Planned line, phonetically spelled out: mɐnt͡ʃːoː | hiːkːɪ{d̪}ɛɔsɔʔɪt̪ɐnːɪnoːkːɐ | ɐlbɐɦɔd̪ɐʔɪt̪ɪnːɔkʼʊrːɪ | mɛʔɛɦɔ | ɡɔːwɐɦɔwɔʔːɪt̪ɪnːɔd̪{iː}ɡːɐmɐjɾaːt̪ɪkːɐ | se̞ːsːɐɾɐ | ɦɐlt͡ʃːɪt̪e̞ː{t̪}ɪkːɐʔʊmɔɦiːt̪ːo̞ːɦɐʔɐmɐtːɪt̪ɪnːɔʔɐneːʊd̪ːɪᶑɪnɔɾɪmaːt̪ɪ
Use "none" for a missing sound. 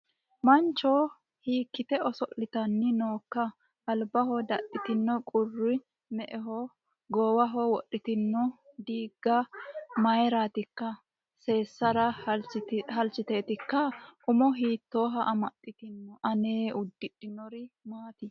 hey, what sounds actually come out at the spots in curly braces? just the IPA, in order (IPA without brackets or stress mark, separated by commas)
t̪, iː, t̪